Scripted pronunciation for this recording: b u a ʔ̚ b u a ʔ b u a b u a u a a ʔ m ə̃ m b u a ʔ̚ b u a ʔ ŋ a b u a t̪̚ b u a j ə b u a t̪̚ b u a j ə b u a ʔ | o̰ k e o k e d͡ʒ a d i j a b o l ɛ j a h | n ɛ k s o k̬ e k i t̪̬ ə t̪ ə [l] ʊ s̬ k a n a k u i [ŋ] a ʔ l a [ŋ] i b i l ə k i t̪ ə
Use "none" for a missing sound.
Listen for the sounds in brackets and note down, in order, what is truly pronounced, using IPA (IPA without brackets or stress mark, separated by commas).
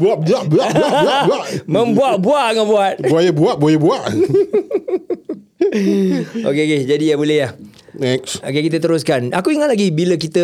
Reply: ɾ, ŋ, ɡ